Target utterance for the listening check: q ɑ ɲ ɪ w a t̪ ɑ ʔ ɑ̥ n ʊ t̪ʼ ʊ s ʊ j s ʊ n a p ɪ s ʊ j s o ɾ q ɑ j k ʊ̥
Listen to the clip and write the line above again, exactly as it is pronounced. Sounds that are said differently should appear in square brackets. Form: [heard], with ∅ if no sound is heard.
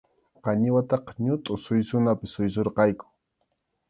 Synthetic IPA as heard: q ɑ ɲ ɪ w a t̪ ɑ [q] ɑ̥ [ɲ] ʊ t̪ʼ ʊ s ʊ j s ʊ n a p ɪ s ʊ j s o ɾ q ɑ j k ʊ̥